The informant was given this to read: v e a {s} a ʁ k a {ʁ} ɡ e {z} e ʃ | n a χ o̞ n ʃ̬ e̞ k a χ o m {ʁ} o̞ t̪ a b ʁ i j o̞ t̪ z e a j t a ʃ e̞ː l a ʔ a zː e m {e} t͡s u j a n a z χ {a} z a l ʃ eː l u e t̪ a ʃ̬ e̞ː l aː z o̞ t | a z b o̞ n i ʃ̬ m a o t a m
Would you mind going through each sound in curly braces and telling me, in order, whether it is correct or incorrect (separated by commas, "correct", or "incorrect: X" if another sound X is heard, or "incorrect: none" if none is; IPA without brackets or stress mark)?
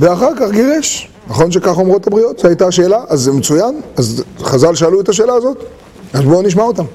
incorrect: χ, incorrect: χ, incorrect: ʁ, correct, correct, correct